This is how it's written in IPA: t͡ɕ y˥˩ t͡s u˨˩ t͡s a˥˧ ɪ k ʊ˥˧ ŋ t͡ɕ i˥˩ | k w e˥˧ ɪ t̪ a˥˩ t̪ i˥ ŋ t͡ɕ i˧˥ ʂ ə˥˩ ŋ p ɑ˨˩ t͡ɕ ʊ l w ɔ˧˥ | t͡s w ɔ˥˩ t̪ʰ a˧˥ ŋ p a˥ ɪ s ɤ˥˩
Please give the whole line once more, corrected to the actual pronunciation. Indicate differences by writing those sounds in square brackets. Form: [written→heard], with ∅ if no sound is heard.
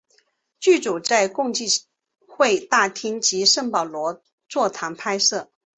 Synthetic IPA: t͡ɕ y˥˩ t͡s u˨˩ t͡s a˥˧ ɪ k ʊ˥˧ ŋ t͡ɕ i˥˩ | [k→x] w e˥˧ ɪ t̪ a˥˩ [t̪→t̪ʰ] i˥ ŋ t͡ɕ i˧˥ ʂ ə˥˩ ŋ p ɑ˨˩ [t͡ɕ→∅] ʊ l w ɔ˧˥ | t͡s w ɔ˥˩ t̪ʰ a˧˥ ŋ [p→pʰ] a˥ ɪ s ɤ˥˩